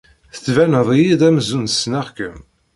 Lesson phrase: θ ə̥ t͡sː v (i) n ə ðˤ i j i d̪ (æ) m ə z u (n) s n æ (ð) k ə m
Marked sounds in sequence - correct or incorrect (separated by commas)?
incorrect, correct, correct, incorrect